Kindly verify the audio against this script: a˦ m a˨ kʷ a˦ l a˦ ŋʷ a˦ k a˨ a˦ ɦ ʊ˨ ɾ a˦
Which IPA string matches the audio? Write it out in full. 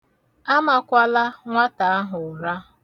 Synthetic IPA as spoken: a˦ m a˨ kʷ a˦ l a˦ ŋʷ a˦ t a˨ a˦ ɦ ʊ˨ ɾ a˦